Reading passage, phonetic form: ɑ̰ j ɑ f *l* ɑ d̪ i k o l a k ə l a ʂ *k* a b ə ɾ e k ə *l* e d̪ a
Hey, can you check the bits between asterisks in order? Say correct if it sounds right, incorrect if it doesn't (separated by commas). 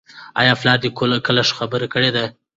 correct, incorrect, incorrect